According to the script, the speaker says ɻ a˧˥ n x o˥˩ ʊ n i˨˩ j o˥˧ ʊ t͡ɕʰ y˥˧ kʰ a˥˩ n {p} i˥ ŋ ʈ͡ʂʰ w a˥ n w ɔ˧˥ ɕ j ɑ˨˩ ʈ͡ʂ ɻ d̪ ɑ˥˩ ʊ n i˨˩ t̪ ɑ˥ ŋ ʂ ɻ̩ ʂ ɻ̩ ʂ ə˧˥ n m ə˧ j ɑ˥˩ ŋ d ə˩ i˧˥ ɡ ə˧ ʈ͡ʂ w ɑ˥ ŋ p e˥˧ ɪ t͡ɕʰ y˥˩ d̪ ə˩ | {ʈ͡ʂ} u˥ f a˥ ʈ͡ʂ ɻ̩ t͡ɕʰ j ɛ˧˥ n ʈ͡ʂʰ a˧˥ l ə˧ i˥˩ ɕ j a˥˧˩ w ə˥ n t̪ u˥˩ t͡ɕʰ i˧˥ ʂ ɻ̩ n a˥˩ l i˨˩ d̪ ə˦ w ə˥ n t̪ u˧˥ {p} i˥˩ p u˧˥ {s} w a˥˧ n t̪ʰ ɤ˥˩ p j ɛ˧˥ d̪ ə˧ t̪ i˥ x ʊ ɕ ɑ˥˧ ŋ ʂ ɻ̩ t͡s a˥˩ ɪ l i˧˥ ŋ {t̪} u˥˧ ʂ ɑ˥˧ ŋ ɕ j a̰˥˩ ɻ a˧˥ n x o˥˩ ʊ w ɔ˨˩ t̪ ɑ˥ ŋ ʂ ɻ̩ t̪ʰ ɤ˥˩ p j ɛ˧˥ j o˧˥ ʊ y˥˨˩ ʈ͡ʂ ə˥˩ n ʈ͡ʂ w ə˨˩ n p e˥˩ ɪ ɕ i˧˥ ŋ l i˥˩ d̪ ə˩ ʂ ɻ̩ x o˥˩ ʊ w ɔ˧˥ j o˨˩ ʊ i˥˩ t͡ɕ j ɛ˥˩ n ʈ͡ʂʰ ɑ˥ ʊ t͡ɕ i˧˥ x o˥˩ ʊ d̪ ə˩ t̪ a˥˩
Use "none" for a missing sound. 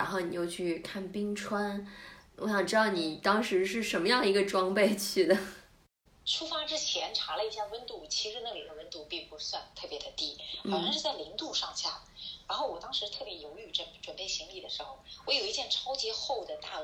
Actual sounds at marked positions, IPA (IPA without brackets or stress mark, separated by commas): p, ʈ͡ʂʰ, p, s, t̪